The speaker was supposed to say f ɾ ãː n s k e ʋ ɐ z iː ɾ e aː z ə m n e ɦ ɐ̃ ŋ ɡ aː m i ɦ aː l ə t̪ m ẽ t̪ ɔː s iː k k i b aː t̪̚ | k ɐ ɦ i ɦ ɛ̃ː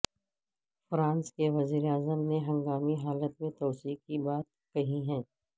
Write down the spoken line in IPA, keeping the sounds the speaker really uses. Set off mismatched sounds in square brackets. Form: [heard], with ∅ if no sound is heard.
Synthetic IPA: f ɾ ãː n s k e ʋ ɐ z iː ɾ e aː z ə m n e ɦ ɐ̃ ŋ ɡ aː m i ɦ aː l ə t̪ m ẽ t̪ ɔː s iː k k i b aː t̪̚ | k ɐ ɦ i ɦ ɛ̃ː